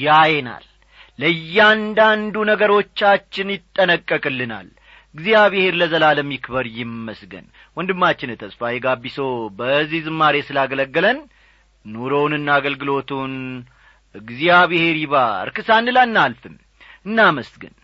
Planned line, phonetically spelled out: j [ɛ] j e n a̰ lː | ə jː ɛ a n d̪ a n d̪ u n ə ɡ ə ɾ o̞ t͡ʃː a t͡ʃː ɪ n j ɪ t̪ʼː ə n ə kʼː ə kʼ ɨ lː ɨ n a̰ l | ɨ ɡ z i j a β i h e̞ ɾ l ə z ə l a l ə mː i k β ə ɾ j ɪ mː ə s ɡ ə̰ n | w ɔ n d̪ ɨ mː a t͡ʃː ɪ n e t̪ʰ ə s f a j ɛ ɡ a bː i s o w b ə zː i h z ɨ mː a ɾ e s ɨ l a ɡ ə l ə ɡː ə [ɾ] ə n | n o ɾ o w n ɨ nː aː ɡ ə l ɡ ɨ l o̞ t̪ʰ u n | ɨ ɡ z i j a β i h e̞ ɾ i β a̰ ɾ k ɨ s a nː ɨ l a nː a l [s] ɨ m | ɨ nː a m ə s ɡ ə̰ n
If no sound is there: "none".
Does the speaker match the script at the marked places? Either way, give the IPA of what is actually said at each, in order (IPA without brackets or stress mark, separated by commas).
a, l, f